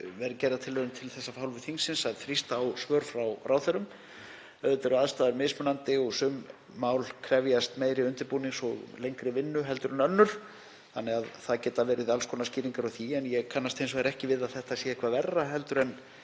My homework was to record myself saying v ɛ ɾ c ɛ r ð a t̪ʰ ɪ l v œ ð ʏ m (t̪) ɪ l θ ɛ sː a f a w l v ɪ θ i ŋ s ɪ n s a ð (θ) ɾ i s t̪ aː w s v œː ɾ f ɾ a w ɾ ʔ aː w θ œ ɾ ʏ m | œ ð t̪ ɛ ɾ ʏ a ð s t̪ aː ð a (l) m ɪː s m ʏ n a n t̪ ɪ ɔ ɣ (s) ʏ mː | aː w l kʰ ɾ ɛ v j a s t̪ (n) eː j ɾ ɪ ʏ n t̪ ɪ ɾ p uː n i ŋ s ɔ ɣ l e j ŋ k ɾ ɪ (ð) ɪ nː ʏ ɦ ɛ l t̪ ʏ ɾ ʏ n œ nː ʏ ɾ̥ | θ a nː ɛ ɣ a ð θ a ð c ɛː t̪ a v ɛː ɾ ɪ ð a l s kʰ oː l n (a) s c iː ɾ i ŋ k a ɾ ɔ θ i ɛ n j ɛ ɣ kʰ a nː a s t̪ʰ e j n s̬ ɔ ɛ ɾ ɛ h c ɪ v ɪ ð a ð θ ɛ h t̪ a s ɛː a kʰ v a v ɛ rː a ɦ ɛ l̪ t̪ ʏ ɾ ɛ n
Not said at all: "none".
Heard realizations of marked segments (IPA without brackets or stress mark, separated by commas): t̪ʰ, θ, ɾ, s, m, v, a